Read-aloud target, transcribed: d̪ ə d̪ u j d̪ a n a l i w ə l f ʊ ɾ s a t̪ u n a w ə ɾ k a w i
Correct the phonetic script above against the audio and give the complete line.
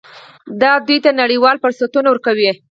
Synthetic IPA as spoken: d̪ ɑ d̪ u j t̪ a n a ɽ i w ɑ l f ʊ ɾ s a t̪ u n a w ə ɾ k a w i